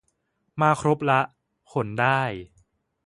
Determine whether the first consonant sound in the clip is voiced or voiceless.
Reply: voiced